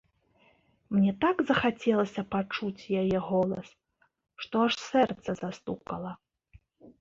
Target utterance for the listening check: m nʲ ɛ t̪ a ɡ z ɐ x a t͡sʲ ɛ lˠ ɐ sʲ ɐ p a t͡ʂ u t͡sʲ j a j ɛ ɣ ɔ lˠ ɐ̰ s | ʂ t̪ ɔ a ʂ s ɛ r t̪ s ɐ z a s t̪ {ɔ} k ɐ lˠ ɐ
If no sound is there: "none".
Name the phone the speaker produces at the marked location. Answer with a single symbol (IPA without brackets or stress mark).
u